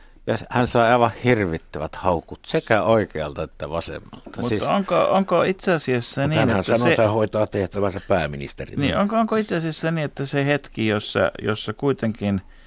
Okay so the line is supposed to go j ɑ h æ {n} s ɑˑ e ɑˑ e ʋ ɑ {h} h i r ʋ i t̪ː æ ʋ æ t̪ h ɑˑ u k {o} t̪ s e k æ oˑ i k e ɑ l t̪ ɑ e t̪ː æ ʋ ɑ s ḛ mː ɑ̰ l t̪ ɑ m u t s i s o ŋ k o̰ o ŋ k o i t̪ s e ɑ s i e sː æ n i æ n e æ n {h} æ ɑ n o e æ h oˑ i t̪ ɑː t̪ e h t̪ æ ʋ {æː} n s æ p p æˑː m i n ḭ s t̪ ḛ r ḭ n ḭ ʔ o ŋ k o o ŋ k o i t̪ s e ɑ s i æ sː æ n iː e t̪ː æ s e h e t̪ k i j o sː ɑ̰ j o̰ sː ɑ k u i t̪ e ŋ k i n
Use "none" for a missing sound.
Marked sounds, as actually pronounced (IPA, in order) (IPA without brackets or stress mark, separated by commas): n, h, u, s, æ